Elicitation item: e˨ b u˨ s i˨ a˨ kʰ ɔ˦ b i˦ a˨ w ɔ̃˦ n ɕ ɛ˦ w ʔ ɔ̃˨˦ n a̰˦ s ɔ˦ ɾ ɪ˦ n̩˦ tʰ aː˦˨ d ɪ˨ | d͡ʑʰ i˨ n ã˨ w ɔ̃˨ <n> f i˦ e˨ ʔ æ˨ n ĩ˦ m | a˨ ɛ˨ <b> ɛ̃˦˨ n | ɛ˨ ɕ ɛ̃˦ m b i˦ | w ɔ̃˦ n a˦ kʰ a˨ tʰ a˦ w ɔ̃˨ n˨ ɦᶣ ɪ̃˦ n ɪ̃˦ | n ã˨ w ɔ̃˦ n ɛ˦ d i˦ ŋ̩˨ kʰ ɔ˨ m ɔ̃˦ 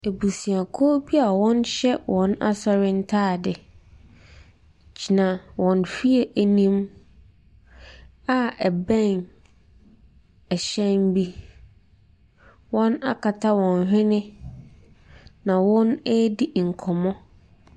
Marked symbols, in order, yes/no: yes, yes

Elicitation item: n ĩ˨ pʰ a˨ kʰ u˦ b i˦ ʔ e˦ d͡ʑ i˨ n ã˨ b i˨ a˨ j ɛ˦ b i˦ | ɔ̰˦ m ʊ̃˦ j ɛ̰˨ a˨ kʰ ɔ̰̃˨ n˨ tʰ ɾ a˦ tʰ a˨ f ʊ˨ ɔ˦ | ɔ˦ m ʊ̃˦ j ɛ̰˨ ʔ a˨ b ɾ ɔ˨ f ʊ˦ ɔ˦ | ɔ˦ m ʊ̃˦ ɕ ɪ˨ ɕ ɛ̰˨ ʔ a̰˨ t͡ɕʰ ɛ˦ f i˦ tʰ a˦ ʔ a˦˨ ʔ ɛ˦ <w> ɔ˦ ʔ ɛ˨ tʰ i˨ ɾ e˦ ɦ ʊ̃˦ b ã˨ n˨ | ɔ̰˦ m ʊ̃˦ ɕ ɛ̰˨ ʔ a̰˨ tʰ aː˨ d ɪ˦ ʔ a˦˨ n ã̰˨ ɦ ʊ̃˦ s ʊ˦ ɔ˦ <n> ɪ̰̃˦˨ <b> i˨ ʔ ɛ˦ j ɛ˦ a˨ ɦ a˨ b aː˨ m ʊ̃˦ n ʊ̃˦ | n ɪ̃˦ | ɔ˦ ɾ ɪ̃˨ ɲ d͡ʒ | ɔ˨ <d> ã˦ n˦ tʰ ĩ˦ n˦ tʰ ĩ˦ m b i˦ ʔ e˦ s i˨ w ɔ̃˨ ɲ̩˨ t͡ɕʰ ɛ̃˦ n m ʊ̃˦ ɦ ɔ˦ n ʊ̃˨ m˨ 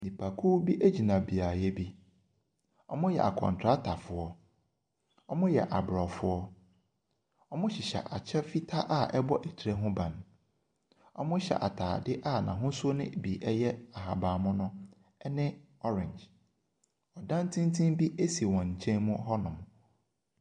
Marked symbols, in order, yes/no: no, yes, yes, yes

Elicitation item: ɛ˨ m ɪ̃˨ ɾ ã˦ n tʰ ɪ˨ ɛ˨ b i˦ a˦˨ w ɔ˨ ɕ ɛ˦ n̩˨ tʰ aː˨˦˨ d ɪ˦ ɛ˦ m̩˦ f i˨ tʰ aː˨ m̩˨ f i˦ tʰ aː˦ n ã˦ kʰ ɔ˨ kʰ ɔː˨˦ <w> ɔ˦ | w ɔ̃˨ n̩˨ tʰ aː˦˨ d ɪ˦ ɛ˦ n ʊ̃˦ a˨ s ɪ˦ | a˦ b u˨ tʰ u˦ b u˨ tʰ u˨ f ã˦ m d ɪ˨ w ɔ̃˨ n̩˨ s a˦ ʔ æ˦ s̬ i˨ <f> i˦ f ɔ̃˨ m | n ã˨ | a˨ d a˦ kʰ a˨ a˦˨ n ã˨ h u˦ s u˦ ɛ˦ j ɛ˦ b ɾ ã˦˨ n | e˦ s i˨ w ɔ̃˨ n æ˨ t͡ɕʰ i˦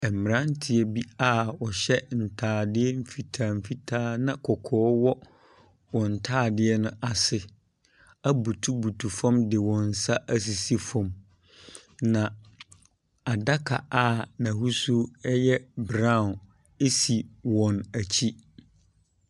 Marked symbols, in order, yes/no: yes, no

